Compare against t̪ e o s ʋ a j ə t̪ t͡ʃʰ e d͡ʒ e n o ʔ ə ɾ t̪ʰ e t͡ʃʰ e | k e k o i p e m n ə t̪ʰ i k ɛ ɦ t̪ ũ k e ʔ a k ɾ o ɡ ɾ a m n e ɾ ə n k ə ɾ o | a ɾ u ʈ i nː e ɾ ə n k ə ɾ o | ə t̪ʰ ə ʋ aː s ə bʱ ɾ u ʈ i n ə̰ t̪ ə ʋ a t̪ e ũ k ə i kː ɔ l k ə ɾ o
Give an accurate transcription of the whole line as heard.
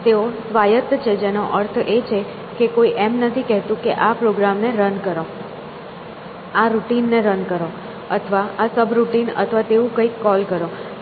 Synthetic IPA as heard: t̪ e o s ʋ a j ə t̪ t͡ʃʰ e d͡ʒ e n o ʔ ə ɾ t̪ʰ e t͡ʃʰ e | k e k o i ʔ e m n ə t̪ʰ i k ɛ ɦ t̪ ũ k e ʔ a p ɾ o ɡ ɾ a m n e ɾ ə n k ə ɾ o | a ɾ u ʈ i nː e ɾ ə n k ə ɾ o | ə t̪ʰ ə ʋ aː s ə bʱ ɾ u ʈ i n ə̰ t̪ʰ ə ʋ a t̪ e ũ k ə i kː ɔ l k ə ɾ o